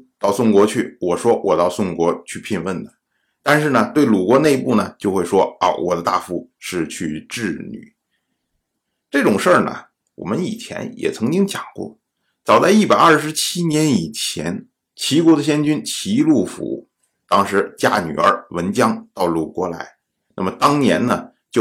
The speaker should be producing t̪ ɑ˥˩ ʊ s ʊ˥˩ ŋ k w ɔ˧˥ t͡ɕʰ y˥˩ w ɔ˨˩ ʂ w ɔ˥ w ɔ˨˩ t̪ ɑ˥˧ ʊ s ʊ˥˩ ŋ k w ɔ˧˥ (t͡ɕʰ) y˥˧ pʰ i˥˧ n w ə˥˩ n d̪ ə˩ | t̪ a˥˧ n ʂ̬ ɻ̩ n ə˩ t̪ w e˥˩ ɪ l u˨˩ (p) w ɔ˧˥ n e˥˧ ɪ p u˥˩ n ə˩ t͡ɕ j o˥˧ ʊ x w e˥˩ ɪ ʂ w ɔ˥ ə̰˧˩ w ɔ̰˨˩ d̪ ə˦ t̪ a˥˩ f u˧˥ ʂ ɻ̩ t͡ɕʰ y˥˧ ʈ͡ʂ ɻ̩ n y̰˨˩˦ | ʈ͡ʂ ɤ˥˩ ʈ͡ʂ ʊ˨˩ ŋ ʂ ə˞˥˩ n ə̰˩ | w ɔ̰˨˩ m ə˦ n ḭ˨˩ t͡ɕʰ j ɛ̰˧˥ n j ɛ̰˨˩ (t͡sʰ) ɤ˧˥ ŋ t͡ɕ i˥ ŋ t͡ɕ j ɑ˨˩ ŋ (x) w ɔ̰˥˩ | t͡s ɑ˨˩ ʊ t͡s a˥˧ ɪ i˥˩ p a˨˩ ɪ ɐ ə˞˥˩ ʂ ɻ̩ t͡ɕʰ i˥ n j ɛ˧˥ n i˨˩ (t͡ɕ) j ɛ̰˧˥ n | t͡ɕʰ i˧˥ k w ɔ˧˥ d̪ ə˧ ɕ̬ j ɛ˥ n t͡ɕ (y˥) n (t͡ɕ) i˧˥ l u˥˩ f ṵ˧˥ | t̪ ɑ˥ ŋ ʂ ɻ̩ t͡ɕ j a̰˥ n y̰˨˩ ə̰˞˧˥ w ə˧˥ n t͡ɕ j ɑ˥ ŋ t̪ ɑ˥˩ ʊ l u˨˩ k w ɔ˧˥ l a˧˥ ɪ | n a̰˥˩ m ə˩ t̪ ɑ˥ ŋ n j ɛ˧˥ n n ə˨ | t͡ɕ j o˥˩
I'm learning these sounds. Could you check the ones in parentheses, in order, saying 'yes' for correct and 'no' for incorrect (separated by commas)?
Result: yes, no, yes, no, no, yes, no